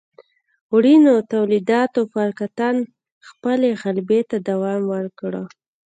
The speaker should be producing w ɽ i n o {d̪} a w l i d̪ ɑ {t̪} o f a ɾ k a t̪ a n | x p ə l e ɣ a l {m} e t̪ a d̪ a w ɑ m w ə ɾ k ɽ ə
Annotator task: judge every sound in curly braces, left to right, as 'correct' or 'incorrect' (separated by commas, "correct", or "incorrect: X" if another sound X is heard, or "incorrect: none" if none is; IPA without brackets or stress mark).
incorrect: t̪, correct, incorrect: b